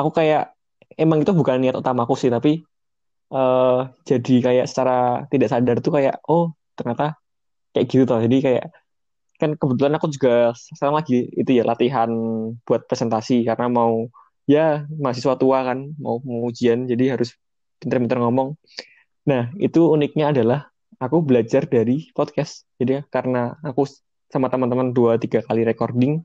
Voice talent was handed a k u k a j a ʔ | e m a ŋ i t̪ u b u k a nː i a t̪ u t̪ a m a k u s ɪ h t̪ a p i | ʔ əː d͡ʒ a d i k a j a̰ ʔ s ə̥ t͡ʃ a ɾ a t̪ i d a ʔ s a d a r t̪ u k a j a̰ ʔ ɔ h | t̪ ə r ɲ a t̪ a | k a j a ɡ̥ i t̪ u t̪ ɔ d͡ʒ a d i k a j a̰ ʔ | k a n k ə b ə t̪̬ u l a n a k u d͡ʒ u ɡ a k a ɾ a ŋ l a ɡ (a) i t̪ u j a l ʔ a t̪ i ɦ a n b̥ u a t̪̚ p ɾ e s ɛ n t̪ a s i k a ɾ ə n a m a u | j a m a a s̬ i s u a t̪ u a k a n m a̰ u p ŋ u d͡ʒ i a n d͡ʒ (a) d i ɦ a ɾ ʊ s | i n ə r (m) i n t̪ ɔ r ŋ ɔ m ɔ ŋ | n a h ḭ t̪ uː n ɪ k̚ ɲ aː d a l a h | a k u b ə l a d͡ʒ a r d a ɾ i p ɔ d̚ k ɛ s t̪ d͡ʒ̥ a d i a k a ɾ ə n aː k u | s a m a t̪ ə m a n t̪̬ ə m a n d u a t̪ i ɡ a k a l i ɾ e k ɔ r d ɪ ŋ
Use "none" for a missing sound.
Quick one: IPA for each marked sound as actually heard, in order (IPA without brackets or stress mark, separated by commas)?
i, a, m